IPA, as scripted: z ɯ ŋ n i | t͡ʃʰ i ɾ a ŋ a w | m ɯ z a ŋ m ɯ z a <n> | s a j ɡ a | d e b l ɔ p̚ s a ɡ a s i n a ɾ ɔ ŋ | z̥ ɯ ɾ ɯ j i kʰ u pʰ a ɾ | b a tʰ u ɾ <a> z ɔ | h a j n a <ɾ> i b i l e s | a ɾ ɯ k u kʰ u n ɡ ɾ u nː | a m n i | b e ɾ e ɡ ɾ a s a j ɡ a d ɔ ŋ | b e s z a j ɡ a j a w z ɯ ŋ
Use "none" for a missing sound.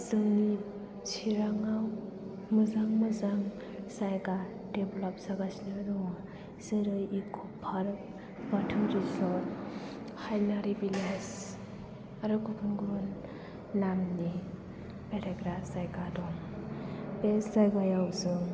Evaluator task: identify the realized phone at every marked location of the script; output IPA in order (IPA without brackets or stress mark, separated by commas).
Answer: ŋ, i, ɾ